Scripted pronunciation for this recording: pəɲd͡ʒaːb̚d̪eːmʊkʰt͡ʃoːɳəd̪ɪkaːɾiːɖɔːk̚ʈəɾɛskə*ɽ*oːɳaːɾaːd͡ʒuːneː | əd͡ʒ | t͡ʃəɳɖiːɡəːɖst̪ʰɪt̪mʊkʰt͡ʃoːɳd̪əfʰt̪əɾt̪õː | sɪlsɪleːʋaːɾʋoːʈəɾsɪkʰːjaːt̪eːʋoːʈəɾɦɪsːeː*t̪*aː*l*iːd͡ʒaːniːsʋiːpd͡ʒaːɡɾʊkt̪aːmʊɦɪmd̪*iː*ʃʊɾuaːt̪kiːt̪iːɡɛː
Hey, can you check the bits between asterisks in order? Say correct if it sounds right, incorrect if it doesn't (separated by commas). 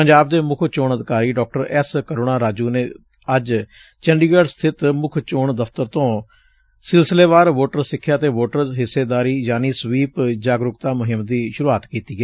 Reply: incorrect, incorrect, incorrect, correct